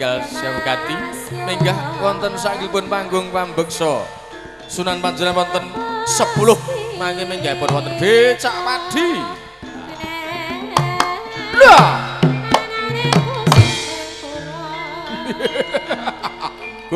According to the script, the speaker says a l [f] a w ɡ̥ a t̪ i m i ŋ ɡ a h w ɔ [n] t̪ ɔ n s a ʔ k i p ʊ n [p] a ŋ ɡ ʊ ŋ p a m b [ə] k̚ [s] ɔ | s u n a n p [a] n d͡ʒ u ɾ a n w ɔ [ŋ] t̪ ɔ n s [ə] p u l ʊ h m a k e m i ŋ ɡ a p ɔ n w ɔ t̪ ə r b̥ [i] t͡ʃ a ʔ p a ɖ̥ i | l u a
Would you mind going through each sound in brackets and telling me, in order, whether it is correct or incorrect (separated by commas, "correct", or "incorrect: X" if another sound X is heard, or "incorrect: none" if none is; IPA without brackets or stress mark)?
incorrect: s, correct, correct, correct, correct, correct, incorrect: n, correct, incorrect: e